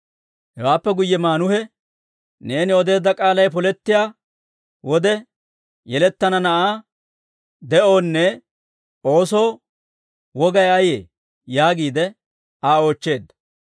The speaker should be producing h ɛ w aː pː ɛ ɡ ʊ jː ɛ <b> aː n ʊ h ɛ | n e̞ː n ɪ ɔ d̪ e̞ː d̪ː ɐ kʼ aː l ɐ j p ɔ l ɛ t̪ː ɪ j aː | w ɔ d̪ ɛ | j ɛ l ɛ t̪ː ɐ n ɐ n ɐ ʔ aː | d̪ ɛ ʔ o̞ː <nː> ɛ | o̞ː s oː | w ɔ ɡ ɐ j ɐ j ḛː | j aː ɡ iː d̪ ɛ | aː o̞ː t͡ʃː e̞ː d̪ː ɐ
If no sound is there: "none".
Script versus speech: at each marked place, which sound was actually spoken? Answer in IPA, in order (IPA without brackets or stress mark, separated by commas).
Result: m, nː